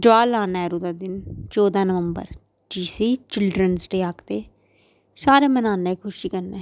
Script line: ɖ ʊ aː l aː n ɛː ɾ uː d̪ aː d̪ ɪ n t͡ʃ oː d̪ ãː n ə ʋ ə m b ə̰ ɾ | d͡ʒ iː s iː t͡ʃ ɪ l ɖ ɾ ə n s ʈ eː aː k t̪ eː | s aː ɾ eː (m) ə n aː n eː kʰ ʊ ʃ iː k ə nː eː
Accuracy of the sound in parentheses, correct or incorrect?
correct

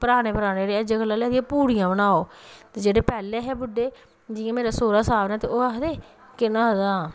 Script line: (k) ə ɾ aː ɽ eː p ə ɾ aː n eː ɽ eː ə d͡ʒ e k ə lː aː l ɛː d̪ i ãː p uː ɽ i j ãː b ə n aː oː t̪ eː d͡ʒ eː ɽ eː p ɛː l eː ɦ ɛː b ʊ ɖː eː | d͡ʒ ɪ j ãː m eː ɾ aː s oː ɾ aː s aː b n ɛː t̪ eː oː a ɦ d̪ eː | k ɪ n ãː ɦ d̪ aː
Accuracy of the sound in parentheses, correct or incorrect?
incorrect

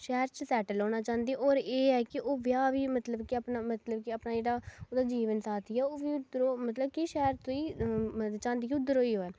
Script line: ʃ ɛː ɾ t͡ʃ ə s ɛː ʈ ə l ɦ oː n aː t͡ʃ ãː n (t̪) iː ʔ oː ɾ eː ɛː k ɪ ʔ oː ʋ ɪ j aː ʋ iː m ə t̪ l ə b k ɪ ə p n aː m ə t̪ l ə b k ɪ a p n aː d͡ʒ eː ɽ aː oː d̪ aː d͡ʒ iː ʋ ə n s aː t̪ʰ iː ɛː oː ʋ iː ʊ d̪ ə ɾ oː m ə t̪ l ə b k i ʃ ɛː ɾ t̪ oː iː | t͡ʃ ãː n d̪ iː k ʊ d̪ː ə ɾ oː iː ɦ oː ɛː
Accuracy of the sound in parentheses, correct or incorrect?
incorrect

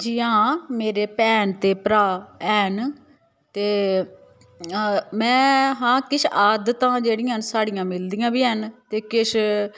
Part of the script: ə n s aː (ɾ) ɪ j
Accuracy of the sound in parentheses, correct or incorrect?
incorrect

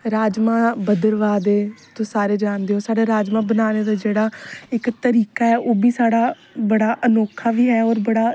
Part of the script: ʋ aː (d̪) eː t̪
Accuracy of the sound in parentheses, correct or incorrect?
correct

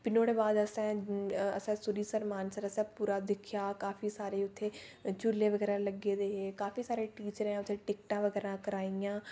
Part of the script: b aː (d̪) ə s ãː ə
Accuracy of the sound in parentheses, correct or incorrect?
correct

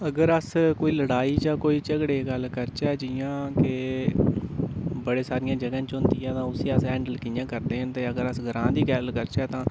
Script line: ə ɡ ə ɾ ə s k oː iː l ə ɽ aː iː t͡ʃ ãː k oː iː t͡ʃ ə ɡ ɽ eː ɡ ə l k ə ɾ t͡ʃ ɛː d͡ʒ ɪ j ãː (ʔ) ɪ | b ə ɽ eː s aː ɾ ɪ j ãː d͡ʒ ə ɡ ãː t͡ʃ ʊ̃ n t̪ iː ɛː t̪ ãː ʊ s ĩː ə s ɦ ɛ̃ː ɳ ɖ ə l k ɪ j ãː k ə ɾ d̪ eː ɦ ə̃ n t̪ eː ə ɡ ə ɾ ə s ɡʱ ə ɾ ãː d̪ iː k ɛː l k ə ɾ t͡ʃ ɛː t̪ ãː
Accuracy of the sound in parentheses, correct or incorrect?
incorrect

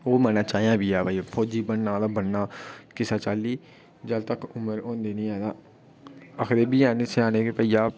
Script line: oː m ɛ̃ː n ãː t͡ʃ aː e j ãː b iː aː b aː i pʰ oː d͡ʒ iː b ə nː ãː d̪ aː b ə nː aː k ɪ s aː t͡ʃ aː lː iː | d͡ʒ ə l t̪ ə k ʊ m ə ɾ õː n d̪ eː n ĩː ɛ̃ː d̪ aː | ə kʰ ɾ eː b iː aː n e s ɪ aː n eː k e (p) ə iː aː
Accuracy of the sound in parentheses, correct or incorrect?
correct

